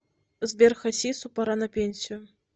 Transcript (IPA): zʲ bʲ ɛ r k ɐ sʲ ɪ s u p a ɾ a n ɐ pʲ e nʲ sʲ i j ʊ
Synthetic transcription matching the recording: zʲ bʲ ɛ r x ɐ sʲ i s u p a ɾ a n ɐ pʲ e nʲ sʲ i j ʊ

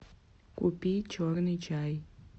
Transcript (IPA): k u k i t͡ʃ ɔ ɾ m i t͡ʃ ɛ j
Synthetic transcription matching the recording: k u p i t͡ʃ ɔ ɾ n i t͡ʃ a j

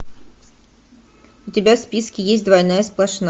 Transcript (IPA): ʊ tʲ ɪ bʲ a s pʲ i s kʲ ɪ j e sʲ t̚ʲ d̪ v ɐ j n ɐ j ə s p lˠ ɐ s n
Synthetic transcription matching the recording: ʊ tʲ ɪ bʲ a s pʲ i s kʲ ɪ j e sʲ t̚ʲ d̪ v ɐ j n a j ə s p lˠ ɐ ʂ n

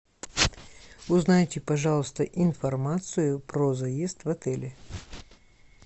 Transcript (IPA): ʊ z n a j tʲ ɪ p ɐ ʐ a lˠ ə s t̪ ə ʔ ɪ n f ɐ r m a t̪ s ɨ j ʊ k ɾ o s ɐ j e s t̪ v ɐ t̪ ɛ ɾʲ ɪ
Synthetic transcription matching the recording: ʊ z n a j tʲ ɪ p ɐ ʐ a lˠ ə s t̪ ə ʔ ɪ n f ɐ r m a t̪ s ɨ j ʊ p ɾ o z ɐ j e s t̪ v ɐ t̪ ɛ lʲ ɪ

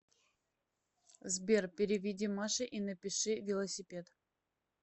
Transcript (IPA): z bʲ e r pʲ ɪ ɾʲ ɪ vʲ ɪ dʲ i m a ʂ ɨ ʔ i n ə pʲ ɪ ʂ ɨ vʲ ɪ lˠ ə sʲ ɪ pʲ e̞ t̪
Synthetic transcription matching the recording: z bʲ e r pʲ ɪ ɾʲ ɪ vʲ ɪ dʲ i m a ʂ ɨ ʔ i n ə pʲ ɪ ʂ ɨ vʲ ɪ lˠ ə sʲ ɪ pʲ e̞ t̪

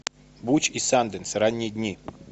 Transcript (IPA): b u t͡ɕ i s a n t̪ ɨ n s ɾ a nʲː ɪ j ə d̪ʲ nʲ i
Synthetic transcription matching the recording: b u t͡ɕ i s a n d̪ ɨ n s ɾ a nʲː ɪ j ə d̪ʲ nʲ i

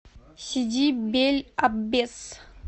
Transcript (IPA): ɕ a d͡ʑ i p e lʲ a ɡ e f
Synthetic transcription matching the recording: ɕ i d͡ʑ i b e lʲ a b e s

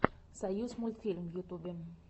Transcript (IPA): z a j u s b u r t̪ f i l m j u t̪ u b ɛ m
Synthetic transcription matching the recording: s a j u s m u l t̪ f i l m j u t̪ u b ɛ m

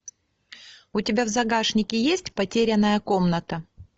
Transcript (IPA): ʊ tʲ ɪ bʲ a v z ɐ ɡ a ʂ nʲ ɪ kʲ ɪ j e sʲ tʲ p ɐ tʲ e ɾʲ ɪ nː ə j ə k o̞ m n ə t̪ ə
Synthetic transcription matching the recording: ʊ tʲ ɪ bʲ a v z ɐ ɡ a ʂ nʲ ɪ kʲ ɪ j e sʲ tʲ p ɐ tʲ e ɾʲ ɪ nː ə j ə k o̞ m n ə t̪ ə

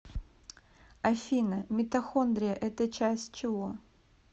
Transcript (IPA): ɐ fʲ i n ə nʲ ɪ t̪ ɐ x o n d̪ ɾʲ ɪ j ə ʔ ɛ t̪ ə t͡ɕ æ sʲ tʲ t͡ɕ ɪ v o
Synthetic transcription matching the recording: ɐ fʲ i n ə mʲ ɪ t̪ ɐ x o n d̪ ɾʲ ɪ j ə ʔ ɛ t̪ ə t͡ɕ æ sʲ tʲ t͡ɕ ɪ v o

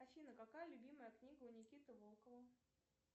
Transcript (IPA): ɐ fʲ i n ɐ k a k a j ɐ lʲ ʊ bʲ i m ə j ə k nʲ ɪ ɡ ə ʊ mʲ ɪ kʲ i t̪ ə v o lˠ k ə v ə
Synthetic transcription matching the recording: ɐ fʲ i n ə k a k a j ə lʲ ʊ bʲ i m ə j ə k nʲ i ɡ ə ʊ nʲ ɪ kʲ i t̪ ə v o lˠ k ə v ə

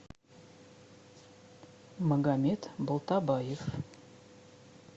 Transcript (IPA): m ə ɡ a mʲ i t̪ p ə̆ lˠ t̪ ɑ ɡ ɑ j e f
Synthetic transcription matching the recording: m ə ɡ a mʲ e t̪ b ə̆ lˠ t̪ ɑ b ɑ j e f

